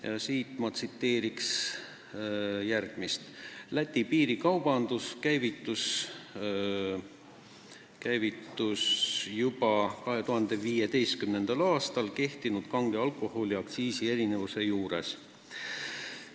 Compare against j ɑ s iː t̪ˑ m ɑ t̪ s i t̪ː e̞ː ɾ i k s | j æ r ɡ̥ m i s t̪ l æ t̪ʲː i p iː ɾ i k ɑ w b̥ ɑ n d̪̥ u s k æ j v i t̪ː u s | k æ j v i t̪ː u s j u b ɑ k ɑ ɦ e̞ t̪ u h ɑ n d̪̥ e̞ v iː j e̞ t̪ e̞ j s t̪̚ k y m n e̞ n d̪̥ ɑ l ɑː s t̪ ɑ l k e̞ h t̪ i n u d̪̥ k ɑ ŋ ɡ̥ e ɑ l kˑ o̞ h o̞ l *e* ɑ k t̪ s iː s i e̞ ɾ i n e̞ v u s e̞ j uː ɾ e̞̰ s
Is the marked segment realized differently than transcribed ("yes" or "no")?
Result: yes